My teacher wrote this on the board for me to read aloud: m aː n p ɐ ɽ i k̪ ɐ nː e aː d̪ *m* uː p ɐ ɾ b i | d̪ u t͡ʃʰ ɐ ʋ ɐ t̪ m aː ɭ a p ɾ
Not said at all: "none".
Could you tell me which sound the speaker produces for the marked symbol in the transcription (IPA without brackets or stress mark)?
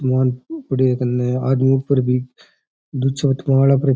m